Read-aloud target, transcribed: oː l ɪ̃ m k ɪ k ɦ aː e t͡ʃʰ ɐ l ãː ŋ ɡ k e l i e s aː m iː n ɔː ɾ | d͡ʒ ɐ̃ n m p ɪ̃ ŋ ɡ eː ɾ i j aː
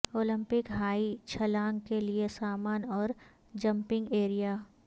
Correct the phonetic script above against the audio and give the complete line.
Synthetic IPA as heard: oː l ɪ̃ m p ɪ k ɦ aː i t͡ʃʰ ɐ l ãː ŋ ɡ k e l i e s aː m aː n ɔː ɾ | d͡ʒ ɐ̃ m p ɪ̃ ŋ ɡ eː ɾ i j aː